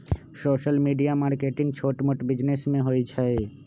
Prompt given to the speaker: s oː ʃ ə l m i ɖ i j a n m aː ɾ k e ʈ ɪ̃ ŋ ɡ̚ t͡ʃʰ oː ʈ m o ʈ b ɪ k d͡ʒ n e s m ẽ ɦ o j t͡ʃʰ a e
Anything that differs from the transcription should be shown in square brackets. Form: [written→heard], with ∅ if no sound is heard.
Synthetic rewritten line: s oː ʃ ə l m i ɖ i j a [n→∅] m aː ɾ k e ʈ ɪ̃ ŋ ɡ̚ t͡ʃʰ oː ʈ m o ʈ b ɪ [k→∅] d͡ʒ n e s m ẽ ɦ o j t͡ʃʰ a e